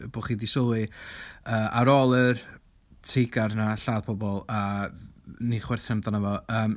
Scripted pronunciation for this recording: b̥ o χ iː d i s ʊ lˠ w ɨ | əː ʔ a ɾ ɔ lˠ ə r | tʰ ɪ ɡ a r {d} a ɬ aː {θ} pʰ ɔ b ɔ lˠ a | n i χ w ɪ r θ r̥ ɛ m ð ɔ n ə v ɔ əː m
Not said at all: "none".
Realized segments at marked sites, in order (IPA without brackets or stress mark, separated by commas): n, ð